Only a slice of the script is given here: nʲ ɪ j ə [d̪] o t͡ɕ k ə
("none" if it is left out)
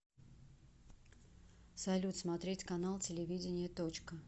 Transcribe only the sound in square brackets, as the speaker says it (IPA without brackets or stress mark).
t̪